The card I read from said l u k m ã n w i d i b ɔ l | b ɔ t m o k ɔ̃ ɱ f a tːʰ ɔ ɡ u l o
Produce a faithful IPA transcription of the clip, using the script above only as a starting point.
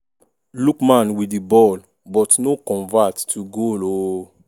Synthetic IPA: l u k m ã n w i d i b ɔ l | b ɔ t n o k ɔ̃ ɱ v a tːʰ u ɡ o l o